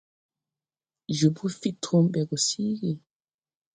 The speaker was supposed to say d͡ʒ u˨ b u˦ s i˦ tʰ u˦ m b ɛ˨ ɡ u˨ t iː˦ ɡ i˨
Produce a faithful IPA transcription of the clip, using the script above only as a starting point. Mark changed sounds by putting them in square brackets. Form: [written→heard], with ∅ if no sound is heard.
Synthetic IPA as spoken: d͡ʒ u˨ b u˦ [s→f] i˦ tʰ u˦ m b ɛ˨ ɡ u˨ [t→s] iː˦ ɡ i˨